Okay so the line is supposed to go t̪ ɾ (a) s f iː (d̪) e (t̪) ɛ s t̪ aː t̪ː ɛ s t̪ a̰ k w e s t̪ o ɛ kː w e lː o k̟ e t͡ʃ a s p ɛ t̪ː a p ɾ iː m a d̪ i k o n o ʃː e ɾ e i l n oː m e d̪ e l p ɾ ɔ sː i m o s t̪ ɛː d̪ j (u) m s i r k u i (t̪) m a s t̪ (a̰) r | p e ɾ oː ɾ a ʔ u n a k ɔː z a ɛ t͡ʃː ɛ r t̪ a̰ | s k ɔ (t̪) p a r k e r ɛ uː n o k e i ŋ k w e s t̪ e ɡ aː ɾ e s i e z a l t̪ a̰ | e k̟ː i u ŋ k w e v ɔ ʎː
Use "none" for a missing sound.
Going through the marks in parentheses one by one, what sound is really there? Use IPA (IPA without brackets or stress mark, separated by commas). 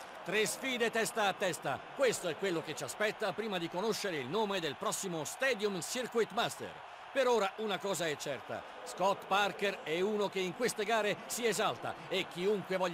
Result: e, d̪, t̪, u, t̪, ḛ, t̪